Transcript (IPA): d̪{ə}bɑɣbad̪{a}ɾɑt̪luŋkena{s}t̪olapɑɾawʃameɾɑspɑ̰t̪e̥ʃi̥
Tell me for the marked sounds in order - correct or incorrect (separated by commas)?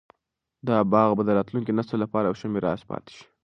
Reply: incorrect, incorrect, correct